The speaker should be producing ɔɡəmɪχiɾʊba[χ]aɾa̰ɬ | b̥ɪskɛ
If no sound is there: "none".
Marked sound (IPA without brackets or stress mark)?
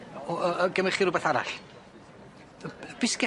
θ